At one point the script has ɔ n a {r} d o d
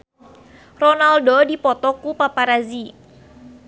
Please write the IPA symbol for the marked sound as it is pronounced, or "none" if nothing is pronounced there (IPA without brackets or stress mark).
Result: l